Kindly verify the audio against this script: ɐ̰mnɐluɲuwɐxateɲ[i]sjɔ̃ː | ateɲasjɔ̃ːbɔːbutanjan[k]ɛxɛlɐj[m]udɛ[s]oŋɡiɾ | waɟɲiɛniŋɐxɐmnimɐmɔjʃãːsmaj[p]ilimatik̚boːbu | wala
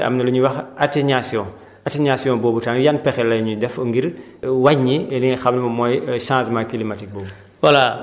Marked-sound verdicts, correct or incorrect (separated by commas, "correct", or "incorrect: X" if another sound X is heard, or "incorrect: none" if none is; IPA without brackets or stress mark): incorrect: a, incorrect: p, incorrect: ɲ, incorrect: f, incorrect: k